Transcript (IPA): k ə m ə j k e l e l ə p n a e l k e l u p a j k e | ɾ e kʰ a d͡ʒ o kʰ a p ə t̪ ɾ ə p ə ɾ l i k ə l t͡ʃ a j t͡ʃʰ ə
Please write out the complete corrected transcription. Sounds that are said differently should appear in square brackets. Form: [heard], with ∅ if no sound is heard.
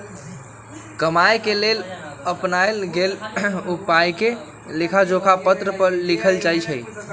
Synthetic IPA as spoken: k ə m [a] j k e l e l ə p n a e l [ɡ] e l u p a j k e | [l] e kʰ a d͡ʒ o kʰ a p ə t̪ ɾ ə p ə ɾ l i [kʰ] ə l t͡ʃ a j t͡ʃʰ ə